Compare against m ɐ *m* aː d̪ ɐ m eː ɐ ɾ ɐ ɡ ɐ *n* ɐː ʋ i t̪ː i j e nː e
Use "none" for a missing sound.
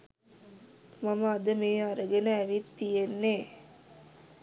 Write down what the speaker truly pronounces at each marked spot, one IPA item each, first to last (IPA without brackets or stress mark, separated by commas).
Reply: m, n